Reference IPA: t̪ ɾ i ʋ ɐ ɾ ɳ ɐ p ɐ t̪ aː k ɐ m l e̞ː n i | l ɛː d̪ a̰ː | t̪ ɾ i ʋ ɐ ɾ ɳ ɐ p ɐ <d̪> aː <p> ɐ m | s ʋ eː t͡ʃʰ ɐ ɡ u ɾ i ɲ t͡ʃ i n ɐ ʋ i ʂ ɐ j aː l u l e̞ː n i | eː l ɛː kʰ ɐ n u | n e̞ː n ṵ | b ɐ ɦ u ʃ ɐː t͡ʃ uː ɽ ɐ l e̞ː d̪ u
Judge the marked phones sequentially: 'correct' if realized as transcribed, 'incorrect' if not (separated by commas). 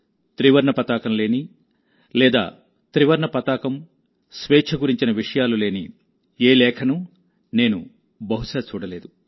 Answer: incorrect, incorrect